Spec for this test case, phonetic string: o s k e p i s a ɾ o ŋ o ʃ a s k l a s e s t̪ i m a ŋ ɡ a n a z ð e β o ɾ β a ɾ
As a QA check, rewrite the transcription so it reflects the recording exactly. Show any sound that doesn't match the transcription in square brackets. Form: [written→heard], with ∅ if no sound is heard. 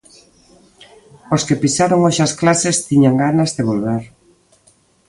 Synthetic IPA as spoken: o s k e p i s a ɾ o ŋ o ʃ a s k l a s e s t̪ i [m→ɲ] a ŋ ɡ a n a z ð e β o [ɾ→l] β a ɾ